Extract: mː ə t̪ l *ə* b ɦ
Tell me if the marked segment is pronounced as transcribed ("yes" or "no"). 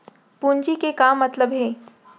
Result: yes